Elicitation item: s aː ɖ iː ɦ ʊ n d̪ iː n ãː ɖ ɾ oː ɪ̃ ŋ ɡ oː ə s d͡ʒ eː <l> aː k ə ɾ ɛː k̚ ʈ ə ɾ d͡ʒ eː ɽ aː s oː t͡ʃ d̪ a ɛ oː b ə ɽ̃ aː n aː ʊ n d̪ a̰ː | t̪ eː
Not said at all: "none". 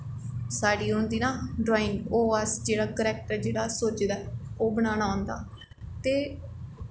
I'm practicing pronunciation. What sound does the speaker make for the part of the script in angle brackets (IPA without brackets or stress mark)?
ɽ